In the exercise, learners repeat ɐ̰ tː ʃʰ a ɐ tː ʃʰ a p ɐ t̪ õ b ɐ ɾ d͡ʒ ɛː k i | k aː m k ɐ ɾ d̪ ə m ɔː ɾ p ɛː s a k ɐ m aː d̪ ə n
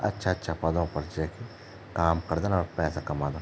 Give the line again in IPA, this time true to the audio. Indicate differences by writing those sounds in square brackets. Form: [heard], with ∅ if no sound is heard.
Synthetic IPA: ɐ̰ tː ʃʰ a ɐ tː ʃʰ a p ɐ [d̪] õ [p] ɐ ɾ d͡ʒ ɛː k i | k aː m k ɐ ɾ d̪ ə [n] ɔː ɾ p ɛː s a k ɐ m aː d̪ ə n